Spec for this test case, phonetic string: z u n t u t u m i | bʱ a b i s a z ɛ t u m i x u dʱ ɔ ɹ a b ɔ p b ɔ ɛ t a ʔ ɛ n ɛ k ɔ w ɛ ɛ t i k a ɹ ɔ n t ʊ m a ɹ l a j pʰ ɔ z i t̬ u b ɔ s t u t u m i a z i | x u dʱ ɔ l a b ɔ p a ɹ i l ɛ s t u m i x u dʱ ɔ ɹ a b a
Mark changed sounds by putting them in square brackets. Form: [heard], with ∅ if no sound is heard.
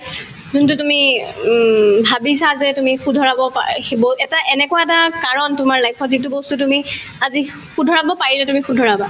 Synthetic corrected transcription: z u n t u t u m i | bʱ a b i s a z ɛ t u m i x u dʱ ɔ ɹ a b ɔ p b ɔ ɛ t a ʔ ɛ n ɛ k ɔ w [a] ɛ t [a] k a ɹ ɔ n t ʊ m a ɹ l a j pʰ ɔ z i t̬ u b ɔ s t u t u m i a z i | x u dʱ ɔ [ɹ] a b ɔ p a ɹ i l ɛ [∅] t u m i x u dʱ ɔ ɹ a b a